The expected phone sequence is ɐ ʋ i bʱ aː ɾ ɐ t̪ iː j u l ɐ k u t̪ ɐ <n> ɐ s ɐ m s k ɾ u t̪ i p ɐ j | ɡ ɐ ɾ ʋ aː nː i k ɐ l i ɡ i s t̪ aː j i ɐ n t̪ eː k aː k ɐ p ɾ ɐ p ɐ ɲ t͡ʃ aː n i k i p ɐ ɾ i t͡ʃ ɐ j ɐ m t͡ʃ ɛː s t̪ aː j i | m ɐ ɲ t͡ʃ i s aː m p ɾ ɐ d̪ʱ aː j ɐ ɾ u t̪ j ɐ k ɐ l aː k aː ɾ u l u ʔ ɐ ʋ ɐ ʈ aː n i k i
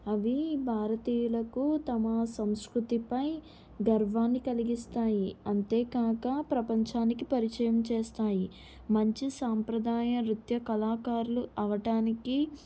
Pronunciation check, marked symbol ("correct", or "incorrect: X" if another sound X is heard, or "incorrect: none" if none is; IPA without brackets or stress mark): incorrect: m